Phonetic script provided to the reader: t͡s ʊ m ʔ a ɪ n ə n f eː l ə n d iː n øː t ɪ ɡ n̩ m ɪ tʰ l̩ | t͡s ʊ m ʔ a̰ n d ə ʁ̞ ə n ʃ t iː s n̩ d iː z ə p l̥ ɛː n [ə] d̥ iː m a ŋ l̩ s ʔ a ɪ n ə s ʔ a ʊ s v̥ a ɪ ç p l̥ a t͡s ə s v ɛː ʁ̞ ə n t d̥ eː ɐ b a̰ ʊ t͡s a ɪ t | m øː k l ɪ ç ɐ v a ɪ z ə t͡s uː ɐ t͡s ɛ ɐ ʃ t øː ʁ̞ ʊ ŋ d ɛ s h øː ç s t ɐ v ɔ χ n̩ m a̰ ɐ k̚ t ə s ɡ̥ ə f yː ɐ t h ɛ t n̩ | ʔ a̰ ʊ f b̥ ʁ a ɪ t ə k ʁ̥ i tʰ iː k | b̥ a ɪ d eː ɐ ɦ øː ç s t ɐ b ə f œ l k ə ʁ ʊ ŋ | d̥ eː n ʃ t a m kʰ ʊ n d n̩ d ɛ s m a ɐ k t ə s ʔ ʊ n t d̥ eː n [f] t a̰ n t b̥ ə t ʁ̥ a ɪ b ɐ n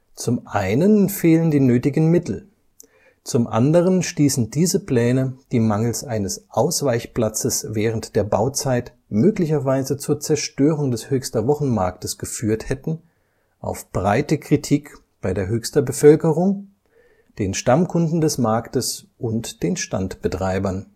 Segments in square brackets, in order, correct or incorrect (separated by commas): correct, incorrect